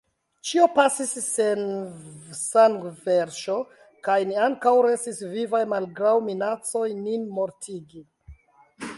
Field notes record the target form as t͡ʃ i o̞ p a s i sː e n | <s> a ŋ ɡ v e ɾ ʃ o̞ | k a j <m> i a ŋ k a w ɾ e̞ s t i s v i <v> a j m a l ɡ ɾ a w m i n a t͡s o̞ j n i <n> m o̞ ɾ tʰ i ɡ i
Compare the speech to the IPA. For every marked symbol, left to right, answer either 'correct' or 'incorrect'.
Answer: correct, incorrect, correct, correct

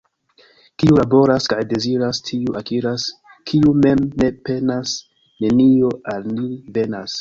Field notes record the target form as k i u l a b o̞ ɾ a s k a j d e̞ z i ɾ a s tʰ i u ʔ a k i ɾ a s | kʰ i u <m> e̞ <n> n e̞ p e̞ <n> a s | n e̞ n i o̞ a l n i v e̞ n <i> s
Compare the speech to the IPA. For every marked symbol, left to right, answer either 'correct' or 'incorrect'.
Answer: correct, incorrect, correct, incorrect

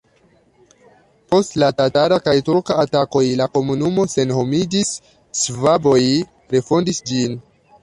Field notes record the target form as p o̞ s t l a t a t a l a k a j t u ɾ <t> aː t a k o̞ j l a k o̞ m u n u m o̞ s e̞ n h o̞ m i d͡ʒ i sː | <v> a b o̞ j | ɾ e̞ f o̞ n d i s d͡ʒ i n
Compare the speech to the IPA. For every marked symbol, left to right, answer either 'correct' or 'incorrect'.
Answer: incorrect, correct

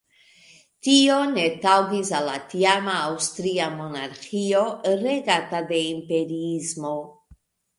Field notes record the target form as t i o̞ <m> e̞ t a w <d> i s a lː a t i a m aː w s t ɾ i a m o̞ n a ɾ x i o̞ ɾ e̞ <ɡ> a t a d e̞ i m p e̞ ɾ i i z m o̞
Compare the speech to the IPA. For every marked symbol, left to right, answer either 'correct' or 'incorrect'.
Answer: incorrect, incorrect, correct

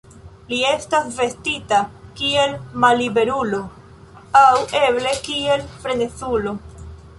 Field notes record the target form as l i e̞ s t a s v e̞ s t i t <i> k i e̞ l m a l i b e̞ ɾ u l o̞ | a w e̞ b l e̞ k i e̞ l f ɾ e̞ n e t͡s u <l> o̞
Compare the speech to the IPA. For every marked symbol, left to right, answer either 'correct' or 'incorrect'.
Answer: incorrect, correct

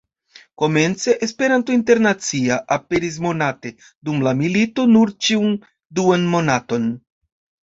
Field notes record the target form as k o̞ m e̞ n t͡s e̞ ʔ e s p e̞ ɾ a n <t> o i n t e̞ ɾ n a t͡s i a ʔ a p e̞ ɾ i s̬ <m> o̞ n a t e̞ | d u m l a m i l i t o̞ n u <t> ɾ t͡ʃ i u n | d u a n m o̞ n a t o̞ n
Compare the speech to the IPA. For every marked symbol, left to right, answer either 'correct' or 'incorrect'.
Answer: correct, correct, incorrect

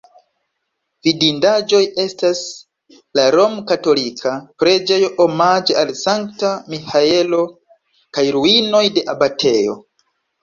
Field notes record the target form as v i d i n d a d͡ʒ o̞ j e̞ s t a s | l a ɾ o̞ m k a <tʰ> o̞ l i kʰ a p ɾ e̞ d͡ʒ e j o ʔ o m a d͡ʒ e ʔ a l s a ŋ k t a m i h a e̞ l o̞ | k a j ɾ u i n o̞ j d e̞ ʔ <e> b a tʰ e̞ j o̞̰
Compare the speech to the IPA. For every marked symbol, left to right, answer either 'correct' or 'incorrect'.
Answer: incorrect, incorrect

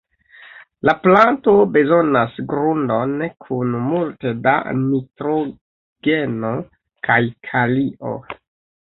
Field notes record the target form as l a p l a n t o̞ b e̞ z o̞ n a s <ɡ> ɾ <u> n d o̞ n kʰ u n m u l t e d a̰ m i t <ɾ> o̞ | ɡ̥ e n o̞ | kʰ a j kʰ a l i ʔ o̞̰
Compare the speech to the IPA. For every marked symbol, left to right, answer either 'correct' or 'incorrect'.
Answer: correct, correct, correct

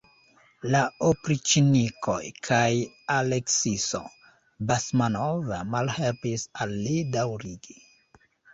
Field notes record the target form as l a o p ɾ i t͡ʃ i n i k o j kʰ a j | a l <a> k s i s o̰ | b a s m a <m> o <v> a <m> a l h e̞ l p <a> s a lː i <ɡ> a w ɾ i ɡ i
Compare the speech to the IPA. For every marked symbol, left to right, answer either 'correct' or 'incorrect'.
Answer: incorrect, incorrect, correct, correct, incorrect, incorrect

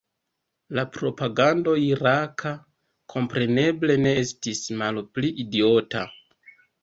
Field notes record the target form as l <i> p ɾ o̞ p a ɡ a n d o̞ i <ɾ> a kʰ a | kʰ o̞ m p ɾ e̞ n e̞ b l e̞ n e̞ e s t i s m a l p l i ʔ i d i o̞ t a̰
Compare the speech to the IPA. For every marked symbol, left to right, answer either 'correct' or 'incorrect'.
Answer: incorrect, correct

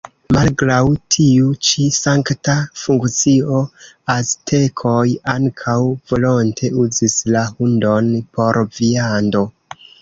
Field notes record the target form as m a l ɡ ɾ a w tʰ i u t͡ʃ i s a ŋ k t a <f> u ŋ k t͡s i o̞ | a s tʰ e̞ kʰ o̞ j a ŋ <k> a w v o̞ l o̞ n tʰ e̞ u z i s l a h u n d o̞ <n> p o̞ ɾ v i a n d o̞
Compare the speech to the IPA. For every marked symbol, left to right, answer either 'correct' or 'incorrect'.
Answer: correct, incorrect, correct

